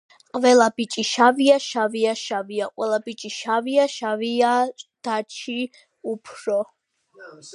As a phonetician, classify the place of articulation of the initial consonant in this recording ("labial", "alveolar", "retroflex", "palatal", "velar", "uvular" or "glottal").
uvular